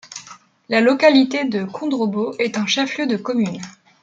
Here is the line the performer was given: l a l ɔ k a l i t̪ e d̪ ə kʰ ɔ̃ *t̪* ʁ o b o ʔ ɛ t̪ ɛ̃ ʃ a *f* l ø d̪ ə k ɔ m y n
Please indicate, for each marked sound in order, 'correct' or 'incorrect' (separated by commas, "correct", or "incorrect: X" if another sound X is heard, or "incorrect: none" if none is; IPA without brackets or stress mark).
incorrect: d̪, correct